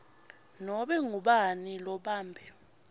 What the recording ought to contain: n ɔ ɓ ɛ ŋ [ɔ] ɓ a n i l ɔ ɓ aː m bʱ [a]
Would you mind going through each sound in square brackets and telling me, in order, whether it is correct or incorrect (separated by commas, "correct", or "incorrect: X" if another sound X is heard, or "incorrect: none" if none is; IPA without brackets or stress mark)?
incorrect: u, incorrect: ɛ